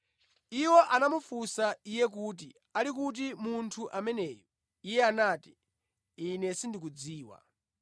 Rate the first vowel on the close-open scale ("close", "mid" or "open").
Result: close